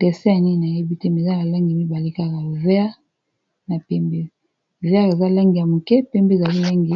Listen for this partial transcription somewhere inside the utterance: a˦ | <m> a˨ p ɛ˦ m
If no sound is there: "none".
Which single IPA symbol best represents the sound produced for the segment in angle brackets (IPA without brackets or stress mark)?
n